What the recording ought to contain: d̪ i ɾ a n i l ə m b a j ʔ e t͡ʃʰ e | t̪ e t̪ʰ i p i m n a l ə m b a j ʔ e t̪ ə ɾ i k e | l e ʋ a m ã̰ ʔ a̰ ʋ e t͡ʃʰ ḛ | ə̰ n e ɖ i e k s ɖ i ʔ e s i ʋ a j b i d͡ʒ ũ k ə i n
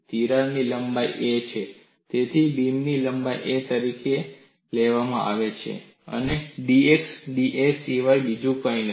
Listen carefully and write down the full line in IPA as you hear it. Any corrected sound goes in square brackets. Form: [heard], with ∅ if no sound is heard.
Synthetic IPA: [t̪] i ɾ a n i l ə m b a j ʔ e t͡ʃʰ e | t̪ e t̪ʰ i [b] i m n [i] l ə m b a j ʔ e t̪ ə ɾ i k e | l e ʋ a m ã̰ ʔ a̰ ʋ e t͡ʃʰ ḛ | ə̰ n e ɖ i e k s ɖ i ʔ e s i ʋ a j b i d͡ʒ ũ k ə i n

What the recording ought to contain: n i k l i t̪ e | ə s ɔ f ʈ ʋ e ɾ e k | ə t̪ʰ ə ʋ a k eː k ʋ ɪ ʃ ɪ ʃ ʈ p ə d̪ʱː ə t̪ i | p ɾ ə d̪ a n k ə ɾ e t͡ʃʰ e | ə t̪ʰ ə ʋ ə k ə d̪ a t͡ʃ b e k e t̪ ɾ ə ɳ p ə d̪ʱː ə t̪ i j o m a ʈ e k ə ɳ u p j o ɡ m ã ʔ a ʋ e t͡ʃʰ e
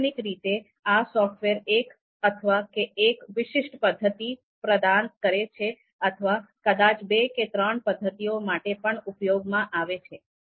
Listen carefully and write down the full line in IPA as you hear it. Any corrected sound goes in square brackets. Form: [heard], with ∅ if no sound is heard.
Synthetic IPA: n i k [ɾ] i t̪ e | [a] s ɔ f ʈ ʋ e ɾ e k | ə t̪ʰ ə ʋ a k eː k ʋ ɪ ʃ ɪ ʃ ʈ p ə d̪ʱː ə t̪ i | p ɾ ə d̪ a n k ə ɾ e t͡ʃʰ e | ə t̪ʰ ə ʋ [a] k ə d̪ a t͡ʃ b e k e t̪ ɾ ə ɳ p ə d̪ʱː ə t̪ i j o m a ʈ e [p] ə ɳ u p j o ɡ m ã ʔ a ʋ e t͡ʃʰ e

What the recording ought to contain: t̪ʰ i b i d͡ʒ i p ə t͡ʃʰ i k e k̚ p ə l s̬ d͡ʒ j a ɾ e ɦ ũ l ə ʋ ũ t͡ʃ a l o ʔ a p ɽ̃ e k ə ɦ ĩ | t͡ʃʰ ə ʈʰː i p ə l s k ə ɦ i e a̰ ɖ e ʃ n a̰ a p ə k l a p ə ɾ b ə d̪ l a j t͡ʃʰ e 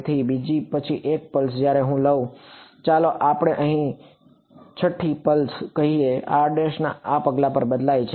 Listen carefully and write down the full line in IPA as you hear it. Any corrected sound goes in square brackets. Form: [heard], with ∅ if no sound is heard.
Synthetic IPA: t̪ʰ i b i d͡ʒ i p ə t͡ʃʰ i [ʔ] e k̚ p ə l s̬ d͡ʒ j a ɾ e ɦ ũ l ə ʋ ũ t͡ʃ a l o ʔ a p ɽ̃ e [ʔ] ə ɦ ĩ | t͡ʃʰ ə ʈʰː i p ə l s k ə ɦ i e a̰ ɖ e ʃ n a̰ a p ə [ɡ] l a p ə ɾ b ə d̪ l a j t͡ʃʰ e

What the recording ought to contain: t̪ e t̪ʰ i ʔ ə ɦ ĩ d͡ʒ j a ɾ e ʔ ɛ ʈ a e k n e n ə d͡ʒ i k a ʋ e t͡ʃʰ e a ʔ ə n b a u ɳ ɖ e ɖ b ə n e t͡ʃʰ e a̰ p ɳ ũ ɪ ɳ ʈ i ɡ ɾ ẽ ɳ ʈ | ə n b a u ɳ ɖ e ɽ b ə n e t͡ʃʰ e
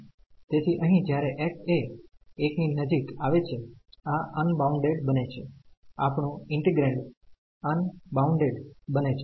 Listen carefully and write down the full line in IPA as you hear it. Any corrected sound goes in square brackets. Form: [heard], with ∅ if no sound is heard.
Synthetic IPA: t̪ e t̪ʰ i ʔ ə ɦ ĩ d͡ʒ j a ɾ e ʔ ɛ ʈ [e] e k n [i] n ə d͡ʒ i k a ʋ e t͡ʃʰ e a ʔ ə n b a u ɳ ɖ e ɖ b ə n e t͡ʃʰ e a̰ p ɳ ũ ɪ ɳ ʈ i ɡ ɾ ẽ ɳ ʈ | ə n b a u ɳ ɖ e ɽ b ə n e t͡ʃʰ e

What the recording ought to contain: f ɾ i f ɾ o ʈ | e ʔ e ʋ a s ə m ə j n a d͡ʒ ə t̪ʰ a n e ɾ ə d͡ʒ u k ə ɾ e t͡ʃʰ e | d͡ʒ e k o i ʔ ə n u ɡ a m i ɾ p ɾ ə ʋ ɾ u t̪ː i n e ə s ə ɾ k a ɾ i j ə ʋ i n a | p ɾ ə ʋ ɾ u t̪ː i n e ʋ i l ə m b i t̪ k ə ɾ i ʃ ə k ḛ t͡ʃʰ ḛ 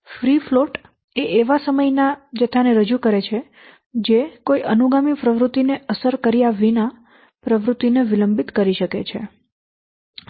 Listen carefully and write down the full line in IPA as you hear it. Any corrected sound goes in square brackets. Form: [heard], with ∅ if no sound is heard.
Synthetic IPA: f ɾ i f [l] o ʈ | e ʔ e ʋ a s ə m ə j n a d͡ʒ ə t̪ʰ a n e ɾ ə d͡ʒ u k ə ɾ e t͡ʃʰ e | d͡ʒ e k o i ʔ ə n u ɡ a m i [∅] p ɾ ə ʋ ɾ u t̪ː i n e ə s ə ɾ k [ə] ɾ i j [a] ʋ i n a | p ɾ ə ʋ ɾ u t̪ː i n e ʋ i l ə m b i t̪ k ə ɾ i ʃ ə k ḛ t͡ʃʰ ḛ

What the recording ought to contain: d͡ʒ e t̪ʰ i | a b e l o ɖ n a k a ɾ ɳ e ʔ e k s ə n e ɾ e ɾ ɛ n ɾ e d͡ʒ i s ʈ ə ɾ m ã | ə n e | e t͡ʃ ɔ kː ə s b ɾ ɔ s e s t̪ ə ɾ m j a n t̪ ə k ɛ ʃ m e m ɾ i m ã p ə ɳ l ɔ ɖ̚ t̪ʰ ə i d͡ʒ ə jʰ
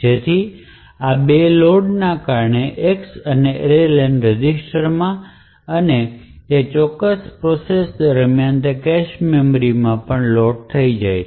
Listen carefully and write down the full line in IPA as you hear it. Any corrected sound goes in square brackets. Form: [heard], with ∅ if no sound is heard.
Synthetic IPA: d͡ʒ e t̪ʰ i | a b e l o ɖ n a k a ɾ ɳ e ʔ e k s ə n e ɾ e [l] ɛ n ɾ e d͡ʒ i s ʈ ə ɾ m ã | ə n e | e t͡ʃ ɔ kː ə s [p] ɾ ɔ s e s [d̪] ə ɾ m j a n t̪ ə k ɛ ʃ m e m ɾ i m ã p ə ɳ l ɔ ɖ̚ t̪ʰ ə i d͡ʒ [a] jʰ

